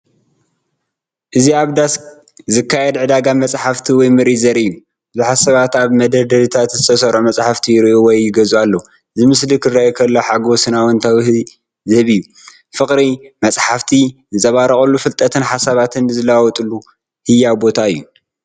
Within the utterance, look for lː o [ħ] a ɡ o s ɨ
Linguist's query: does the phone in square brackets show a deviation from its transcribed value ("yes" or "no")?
no